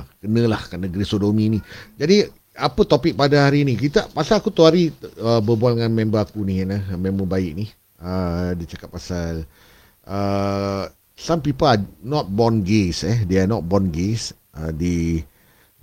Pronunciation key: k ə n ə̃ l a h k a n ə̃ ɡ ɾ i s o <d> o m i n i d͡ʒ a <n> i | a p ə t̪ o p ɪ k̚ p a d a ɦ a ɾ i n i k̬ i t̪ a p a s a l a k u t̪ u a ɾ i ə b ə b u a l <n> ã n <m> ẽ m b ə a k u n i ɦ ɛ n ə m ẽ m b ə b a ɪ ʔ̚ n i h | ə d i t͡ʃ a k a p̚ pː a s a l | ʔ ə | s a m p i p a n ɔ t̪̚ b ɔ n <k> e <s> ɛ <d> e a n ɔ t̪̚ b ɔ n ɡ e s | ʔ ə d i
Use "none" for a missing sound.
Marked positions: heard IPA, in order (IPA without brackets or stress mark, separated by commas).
d, d, ŋ, m, ɡ, s, d